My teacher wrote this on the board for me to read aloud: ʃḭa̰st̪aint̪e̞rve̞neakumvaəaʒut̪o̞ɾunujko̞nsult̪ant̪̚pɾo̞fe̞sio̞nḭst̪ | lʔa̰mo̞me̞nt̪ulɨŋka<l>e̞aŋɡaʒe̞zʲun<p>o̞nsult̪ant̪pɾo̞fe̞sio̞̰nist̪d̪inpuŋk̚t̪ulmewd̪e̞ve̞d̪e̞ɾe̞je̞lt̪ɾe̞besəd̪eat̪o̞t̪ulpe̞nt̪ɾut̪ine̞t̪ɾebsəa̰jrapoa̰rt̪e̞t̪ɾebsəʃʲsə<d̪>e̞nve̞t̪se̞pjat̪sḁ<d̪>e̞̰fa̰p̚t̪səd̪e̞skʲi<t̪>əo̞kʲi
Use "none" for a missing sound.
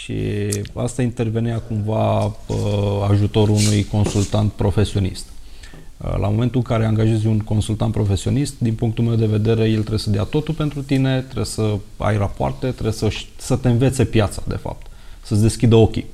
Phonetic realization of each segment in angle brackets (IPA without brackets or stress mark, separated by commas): ɾ, k, t̪, d̪, d̪